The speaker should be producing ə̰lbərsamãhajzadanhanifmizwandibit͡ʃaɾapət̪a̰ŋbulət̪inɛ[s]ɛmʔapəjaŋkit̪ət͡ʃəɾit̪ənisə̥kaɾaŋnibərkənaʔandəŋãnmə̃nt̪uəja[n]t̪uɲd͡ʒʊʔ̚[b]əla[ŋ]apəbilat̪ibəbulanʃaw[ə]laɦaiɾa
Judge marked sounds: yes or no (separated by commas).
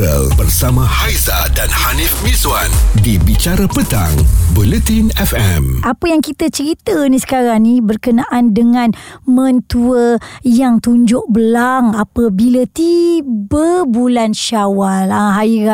no, no, yes, yes, no